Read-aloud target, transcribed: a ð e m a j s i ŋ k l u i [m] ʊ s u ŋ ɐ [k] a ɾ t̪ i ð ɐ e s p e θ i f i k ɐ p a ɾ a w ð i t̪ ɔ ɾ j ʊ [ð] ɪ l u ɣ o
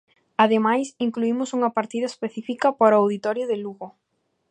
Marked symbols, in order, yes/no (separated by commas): yes, no, yes